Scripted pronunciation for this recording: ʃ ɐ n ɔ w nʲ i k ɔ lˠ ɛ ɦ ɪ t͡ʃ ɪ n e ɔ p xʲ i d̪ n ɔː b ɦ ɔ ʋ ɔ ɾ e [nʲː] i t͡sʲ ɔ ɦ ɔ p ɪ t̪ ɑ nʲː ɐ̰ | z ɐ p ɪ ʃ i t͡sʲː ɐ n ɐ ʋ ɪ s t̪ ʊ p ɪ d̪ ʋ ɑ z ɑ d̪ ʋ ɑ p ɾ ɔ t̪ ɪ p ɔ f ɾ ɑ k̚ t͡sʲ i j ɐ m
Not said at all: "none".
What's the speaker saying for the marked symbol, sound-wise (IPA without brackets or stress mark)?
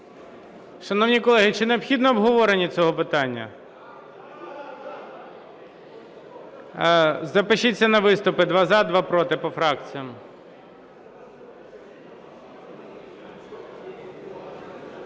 nʲ